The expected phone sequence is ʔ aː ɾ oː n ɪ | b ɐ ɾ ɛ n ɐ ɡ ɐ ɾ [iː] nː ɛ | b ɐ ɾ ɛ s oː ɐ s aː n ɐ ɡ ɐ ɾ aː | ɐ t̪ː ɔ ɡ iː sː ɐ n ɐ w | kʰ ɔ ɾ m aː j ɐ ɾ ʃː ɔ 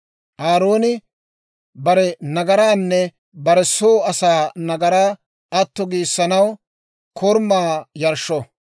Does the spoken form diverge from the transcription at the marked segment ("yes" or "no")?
yes